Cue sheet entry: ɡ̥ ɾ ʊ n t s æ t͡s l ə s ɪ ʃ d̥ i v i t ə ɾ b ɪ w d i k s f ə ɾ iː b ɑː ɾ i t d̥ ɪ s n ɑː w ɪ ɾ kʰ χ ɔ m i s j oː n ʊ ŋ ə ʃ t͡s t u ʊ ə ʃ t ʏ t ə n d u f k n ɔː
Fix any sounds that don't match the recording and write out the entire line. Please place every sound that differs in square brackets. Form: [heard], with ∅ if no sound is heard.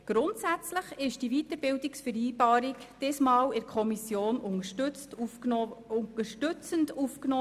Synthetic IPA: ɡ̥ ɾ ʊ n t s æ t͡s l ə [χ] ɪ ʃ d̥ i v i t ə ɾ b ɪ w d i k s f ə ɾ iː b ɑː ɾ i [k] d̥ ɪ s [m] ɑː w ɪ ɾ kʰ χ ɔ m i s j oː n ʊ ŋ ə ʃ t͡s t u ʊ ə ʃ t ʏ [t͡s] ə n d u f k n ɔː